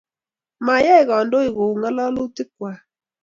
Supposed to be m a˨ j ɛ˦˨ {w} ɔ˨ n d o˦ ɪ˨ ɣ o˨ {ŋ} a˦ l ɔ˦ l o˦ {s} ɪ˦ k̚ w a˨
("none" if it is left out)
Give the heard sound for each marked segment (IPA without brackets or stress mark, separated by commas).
ɣ, ŋ, t